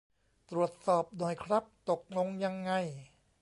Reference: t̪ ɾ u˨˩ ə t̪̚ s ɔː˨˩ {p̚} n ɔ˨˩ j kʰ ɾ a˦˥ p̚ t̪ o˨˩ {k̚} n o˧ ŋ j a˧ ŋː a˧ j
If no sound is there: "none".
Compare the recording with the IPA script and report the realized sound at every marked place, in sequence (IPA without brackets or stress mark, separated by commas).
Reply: p̚, k̚